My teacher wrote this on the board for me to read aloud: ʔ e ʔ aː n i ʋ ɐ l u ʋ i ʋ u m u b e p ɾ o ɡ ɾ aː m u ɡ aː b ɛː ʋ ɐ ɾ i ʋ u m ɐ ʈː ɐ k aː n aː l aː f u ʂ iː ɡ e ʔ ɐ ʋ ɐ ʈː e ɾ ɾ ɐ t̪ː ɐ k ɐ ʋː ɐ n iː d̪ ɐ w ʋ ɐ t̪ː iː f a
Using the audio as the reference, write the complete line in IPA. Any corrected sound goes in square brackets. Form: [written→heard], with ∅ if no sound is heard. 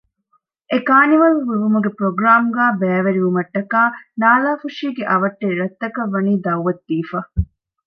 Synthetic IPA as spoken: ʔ e [ʔ→k] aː n i ʋ ɐ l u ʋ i ʋ u m u [b→ɡ] e p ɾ o ɡ ɾ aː m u ɡ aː b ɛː ʋ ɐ ɾ i ʋ u m ɐ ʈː ɐ k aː n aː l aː f u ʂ iː ɡ e ʔ ɐ ʋ ɐ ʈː e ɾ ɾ ɐ t̪ː ɐ k ɐ ʋː ɐ n iː d̪ ɐ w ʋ ɐ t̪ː iː f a